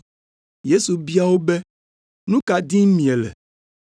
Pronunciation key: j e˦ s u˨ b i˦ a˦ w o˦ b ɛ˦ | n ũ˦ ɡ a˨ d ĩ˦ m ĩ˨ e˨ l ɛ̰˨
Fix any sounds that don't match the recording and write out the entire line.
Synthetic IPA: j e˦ s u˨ b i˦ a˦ w o˦ b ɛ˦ | n ũ˦ k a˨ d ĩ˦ m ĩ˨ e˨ l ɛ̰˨